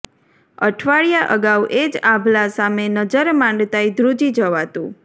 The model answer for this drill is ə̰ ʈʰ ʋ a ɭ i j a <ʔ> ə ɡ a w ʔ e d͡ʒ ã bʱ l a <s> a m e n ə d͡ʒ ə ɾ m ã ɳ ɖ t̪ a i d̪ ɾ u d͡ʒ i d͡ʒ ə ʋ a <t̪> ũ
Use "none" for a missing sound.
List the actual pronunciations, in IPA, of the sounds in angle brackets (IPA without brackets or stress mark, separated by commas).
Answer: ʔ, s, t̪